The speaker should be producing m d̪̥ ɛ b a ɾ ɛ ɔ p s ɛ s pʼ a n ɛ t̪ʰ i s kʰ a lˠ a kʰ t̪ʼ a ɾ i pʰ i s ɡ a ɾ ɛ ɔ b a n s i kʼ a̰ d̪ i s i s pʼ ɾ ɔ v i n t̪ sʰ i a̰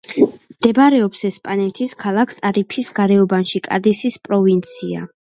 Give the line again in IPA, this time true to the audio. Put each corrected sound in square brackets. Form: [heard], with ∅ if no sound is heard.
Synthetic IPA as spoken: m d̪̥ ɛ b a ɾ ɛ ɔ p s ɛ s pʼ a n ɛ t̪ʰ i s kʰ a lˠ a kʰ t̪ʼ a ɾ i pʰ i s ɡ a ɾ ɛ ɔ b a n [ʃ] i kʼ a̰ d̪ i s i s pʼ ɾ ɔ v i n t̪ sʰ i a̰

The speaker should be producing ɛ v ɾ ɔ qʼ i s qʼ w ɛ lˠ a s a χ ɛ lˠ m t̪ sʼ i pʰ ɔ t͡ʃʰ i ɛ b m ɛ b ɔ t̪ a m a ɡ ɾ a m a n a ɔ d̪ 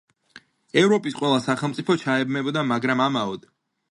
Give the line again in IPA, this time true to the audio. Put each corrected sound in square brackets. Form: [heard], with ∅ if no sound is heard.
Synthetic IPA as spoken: ɛ v ɾ ɔ [pʼ] i s qʼ w ɛ lˠ a s a χ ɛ lˠ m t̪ sʼ i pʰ ɔ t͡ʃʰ [a] ɛ b m ɛ b ɔ [d̪] a m a ɡ ɾ a m a [m] a ɔ d̪

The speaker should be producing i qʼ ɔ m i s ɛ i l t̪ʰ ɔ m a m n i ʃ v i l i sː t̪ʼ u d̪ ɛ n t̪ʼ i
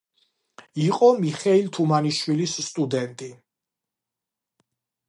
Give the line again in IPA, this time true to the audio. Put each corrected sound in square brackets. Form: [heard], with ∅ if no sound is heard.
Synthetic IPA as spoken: i qʼ ɔ m i [χ] ɛ i l t̪ʰ [u] m a [∅] n i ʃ [w] i l i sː t̪ʼ u d̪ ɛ n t̪ʼ i

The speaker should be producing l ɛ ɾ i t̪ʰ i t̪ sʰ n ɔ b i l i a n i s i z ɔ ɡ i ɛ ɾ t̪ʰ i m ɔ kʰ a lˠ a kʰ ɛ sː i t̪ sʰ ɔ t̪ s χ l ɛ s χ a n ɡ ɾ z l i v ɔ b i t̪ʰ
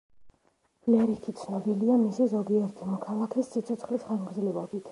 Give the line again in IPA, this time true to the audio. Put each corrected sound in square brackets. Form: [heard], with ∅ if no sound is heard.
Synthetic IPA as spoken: l ɛ ɾ i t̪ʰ i t̪ sʰ n ɔ b i l i a [m] i s i z ɔ ɡ i ɛ ɾ t̪ʰ i m ɔ kʰ a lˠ a kʰ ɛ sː i t̪ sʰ ɔ t̪ s χ l [i] s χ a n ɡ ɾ z l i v ɔ b i t̪ʰ

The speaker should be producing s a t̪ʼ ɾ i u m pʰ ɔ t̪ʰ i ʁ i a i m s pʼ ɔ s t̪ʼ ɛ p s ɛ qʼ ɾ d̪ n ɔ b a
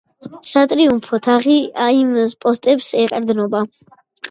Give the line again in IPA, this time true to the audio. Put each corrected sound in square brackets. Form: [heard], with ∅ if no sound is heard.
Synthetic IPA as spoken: s a t̪ʼ ɾ i u m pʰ ɔ t̪ʰ [a] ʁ i a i m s pʼ ɔ s t̪ʼ ɛ p s ɛ qʼ ɾ d̪ n ɔ b a

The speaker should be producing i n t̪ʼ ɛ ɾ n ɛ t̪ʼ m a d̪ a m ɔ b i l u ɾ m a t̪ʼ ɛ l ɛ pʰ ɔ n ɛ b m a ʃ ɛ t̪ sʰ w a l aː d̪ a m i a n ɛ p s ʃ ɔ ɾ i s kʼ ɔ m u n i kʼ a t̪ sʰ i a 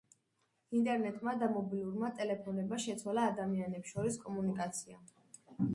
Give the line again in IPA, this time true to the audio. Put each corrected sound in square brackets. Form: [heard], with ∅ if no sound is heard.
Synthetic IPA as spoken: i n t̪ʼ ɛ ɾ n ɛ t̪ʼ m a d̪ a m ɔ b i l u ɾ m a t̪ʼ ɛ l ɛ pʰ ɔ n ɛ b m a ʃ ɛ t̪ sʰ w a l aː d̪ a m i a n ɛ p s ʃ ɔ ɾ i s kʼ ɔ m u n i kʼ a t̪ sʰ i a

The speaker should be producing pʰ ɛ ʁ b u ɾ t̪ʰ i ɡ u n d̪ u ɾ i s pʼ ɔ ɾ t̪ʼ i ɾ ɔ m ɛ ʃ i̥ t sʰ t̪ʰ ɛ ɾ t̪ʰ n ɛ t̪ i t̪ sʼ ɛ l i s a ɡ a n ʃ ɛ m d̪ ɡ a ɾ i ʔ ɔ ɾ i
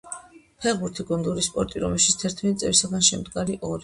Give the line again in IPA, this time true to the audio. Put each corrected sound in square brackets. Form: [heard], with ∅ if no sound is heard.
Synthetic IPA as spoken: pʰ ɛ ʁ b u ɾ t̪ʰ i ɡ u n d̪ u ɾ i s pʼ ɔ ɾ t̪ʼ i ɾ ɔ m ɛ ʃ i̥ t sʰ t̪ʰ ɛ ɾ t̪ʰ [m] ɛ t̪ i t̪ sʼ ɛ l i s a ɡ a n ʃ ɛ m d̪ ɡ a ɾ i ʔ ɔ ɾ i

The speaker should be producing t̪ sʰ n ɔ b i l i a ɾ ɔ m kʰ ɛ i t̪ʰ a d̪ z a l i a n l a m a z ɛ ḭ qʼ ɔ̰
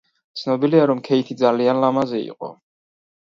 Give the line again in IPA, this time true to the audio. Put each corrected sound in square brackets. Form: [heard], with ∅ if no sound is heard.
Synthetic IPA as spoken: t̪ sʰ n ɔ b i l i a ɾ ɔ m kʰ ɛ i t̪ʰ [i] d̪ z a l i a n l a m a z ɛ ḭ qʼ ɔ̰

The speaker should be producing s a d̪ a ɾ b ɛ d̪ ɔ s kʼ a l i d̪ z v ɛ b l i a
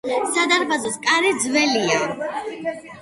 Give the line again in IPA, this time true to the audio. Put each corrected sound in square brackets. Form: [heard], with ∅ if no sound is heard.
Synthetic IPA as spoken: s a d̪ a ɾ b [a] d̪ ɔ s kʼ a [ɾ] i d̪ z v ɛ [∅] l i a

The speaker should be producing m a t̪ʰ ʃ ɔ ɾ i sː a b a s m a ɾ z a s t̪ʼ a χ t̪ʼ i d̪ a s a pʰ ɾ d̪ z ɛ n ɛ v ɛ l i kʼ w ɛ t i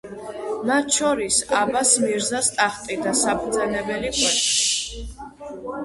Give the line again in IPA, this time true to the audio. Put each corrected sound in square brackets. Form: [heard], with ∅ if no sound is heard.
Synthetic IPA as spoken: m a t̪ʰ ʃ ɔ ɾ i [s] a b a s m [i] ɾ z a s t̪ʼ a χ t̪ʼ i d̪ a s a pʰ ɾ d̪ z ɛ n ɛ [b] ɛ l i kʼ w ɛ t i

